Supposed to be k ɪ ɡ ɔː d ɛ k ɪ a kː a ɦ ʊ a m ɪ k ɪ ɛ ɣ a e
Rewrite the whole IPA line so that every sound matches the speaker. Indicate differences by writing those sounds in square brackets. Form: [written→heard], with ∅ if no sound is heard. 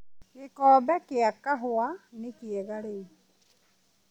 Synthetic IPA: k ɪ [ɡ→k] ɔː [d→b] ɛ k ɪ a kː a ɦ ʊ a [m→n] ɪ k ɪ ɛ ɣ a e